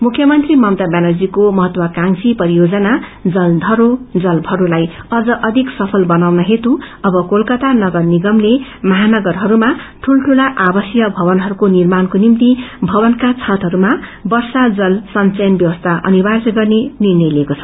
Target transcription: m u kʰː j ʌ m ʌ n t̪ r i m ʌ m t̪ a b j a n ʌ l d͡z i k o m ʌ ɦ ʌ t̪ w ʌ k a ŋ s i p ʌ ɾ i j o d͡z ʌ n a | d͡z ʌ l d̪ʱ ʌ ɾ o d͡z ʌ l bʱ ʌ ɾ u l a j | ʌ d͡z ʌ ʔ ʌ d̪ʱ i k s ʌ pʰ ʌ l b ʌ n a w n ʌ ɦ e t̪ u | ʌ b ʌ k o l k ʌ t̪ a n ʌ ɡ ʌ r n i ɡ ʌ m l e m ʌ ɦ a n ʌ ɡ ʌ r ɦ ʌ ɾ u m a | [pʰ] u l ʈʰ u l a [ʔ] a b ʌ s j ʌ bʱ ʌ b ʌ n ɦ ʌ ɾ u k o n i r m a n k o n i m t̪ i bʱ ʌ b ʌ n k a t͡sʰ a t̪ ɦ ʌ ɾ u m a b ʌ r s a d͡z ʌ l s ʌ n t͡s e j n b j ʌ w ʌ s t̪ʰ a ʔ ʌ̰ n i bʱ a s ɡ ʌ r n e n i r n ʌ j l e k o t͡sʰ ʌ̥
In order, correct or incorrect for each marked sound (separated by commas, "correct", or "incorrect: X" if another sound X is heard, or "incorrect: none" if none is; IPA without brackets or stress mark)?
incorrect: ʈʰ, correct